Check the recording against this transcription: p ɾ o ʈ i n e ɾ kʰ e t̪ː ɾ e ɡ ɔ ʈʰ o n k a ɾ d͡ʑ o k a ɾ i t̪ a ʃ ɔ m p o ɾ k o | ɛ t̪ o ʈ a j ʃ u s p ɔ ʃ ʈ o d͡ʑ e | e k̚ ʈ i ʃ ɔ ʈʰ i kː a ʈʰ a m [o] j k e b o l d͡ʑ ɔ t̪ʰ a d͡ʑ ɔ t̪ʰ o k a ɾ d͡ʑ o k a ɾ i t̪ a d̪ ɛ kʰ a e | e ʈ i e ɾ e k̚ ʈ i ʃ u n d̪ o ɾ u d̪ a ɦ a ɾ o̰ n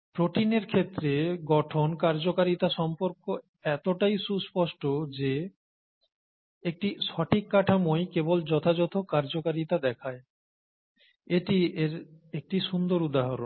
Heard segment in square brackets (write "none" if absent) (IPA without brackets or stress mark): o